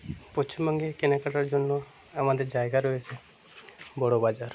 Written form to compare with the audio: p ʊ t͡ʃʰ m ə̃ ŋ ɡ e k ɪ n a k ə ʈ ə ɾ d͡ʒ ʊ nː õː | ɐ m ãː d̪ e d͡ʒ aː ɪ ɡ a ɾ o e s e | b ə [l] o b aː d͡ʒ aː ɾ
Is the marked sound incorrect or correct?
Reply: incorrect